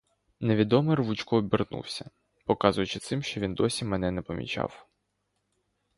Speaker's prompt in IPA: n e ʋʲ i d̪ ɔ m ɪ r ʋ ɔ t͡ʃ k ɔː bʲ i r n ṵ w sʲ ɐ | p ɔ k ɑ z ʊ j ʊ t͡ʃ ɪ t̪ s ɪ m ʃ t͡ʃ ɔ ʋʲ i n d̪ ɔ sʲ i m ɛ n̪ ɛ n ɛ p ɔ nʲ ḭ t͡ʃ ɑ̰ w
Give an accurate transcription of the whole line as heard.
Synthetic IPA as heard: n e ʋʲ i d̪ ɔ m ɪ r ʋ u t͡ʃ k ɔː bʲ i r n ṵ w sʲ ɐ | p ɔ k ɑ z ʊ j ʊ t͡ʃ ɪ t̪ s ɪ m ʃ t͡ʃ ɔ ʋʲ i n d̪ ɔ sʲ i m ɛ n̪ ɛ n ɛ p ɔ mʲ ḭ t͡ʃ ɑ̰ w